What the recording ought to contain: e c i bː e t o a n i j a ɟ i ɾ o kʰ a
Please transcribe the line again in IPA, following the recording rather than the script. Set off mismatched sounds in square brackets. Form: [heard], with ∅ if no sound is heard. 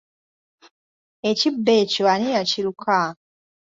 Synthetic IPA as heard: e c i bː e [c] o a n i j a [c] i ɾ [u] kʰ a